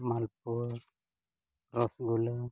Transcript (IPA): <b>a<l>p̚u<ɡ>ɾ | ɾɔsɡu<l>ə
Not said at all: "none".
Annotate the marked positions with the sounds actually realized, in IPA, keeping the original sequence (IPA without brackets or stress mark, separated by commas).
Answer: m, l, none, l